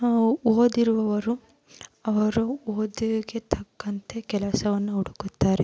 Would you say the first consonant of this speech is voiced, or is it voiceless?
voiced